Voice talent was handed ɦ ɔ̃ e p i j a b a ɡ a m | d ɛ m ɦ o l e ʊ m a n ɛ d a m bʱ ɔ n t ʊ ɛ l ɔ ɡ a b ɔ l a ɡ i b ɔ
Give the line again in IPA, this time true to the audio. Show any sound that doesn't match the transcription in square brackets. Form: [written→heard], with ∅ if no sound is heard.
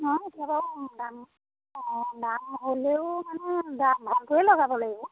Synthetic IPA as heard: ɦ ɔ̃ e [p→t] i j a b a [ɡ→d] a m | d [ɛ→a] m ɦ o l e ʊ m a n ɛ d a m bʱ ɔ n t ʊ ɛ l ɔ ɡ a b ɔ l a ɡ i b ɔ